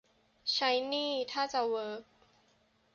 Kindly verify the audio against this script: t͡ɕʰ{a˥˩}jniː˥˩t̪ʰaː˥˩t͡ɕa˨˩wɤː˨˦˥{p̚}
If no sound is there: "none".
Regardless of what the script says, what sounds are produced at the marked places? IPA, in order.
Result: a˦˥, k̚

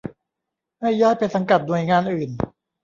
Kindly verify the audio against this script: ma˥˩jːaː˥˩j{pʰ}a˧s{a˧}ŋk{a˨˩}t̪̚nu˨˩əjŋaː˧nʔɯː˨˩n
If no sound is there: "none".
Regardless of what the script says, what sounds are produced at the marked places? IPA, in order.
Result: p, a˧, a˨˩

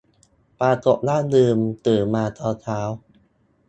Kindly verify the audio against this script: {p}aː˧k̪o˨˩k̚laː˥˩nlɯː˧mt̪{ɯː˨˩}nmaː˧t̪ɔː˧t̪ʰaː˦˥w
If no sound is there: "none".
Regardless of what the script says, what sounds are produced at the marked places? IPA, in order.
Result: p, ɯː˨˩

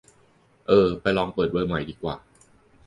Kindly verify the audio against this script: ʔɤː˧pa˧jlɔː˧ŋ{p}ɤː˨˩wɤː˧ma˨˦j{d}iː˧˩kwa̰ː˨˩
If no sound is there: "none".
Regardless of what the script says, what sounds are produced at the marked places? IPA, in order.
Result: p, d

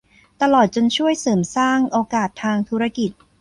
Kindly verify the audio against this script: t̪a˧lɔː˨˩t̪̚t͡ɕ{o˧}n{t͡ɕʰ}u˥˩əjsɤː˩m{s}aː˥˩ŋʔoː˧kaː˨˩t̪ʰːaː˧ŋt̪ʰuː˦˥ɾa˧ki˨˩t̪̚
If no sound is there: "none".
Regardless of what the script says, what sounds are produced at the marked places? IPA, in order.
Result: o˧, t͡ɕʰ, s

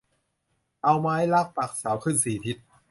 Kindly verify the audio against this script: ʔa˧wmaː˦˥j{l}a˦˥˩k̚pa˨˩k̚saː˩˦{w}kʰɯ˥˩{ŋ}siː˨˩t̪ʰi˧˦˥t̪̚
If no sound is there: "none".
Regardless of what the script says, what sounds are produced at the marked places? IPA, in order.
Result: l, w, n

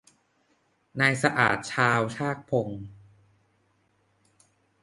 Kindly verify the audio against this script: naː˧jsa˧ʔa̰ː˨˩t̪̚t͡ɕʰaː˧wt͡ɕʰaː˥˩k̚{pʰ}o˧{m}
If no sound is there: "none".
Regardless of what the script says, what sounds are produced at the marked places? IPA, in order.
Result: pʰ, ŋ

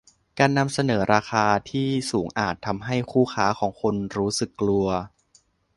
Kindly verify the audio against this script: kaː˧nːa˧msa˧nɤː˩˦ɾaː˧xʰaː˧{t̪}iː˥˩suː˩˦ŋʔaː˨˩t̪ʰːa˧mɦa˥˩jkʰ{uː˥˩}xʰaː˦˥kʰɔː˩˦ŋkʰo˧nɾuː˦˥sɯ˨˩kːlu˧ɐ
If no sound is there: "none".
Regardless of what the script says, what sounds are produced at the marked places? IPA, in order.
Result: t̪ʰ, uː˥˩

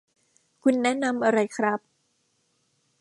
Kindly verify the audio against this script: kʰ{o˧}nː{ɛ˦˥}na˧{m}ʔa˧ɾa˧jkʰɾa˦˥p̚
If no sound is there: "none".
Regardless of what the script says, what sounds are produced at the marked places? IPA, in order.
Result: u˧, ɛ˦˥, m

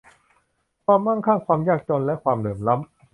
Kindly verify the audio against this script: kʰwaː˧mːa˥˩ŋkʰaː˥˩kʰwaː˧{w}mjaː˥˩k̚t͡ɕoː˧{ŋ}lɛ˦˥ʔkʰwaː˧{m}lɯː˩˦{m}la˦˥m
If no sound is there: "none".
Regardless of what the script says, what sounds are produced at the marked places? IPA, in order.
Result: none, n, m, m

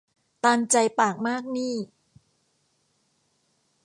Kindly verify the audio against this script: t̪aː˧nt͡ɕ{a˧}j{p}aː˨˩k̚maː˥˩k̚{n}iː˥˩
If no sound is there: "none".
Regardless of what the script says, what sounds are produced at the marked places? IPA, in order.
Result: a˧, p, n

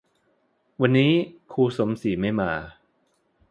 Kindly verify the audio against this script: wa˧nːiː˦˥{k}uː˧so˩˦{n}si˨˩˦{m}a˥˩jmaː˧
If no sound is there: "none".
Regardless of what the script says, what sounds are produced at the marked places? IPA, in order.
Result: kʰ, m, m

